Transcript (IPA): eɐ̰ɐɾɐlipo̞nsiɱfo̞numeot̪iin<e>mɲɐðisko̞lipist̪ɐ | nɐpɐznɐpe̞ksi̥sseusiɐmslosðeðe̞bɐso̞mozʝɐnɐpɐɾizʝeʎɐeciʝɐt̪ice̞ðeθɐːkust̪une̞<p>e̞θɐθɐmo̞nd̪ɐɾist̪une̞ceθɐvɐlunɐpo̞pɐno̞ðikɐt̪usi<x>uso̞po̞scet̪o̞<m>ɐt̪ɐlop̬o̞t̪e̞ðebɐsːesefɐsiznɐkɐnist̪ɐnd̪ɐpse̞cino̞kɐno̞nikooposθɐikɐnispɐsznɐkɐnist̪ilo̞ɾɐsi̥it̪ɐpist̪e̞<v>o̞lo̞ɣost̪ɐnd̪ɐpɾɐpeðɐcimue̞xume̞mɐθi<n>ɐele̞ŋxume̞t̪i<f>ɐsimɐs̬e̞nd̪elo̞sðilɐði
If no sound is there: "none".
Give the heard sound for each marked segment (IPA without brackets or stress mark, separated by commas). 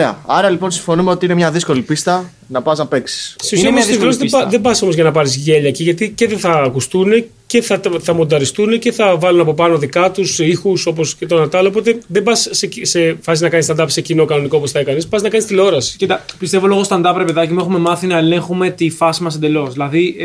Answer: e, c, x, n, v, n, f